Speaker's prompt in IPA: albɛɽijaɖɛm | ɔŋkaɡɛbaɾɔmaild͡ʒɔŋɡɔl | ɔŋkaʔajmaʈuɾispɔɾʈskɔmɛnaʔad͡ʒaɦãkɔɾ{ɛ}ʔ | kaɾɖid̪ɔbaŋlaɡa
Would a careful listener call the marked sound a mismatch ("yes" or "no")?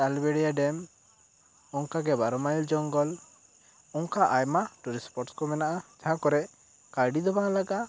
no